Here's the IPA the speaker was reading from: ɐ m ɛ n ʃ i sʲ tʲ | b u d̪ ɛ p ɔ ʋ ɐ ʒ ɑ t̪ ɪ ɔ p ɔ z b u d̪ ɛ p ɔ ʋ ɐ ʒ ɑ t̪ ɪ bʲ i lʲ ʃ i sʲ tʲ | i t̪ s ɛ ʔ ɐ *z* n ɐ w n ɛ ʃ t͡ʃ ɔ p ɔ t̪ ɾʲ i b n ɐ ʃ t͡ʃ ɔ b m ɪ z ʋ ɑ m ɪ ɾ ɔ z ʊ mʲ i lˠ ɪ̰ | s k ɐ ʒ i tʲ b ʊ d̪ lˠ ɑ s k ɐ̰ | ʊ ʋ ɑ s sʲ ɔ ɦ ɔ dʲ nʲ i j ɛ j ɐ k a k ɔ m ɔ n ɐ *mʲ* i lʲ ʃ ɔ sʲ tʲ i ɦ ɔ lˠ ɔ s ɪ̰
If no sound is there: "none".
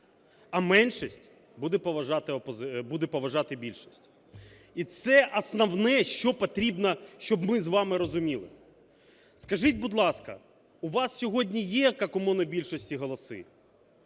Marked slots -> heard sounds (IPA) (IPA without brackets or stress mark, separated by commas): s, bʲ